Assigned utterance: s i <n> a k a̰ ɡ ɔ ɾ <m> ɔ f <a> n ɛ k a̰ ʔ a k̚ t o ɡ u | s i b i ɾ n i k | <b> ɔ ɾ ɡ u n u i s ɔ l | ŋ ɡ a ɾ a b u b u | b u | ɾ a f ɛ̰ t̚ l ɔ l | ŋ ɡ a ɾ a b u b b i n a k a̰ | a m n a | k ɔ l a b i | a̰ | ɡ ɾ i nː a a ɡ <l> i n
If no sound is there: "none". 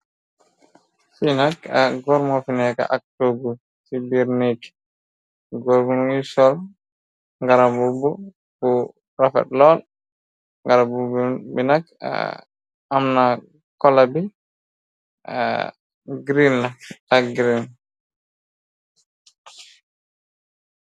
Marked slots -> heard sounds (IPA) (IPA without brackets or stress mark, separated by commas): n, m, i, ɡ, ɾ